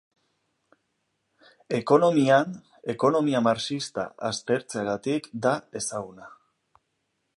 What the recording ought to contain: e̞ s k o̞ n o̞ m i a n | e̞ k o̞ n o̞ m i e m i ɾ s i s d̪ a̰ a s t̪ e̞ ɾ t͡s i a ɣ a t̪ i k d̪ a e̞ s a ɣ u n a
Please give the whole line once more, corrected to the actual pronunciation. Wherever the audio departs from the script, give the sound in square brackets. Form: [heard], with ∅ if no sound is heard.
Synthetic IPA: e̞ [∅] k o̞ n o̞ m i a n | e̞ k o̞ n o̞ m i [a] m [a] ɾ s i s [t̪] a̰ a s t̪ e̞ ɾ t͡s [e] a ɣ a t̪ i k d̪ a e̞ s a ɣ u n a